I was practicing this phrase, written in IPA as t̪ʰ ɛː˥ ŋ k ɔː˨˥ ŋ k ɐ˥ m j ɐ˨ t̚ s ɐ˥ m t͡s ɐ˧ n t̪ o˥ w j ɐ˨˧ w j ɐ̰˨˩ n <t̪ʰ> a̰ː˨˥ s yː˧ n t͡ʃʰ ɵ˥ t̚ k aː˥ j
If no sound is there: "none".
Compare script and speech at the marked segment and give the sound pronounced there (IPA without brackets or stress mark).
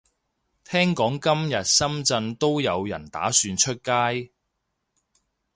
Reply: t̪